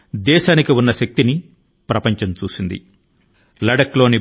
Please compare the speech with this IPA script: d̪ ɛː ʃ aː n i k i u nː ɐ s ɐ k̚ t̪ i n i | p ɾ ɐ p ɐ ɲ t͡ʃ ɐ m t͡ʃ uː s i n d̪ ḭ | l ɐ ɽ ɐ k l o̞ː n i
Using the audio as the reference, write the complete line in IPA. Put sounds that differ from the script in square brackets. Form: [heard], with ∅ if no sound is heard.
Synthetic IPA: d̪ ɛː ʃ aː n i k i u nː ɐ [ʃ] ɐ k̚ t̪ i n i | p ɾ ɐ p ɐ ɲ t͡ʃ ɐ m t͡ʃ uː s i n d̪ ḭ | l ɐ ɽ ɐ k l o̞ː n i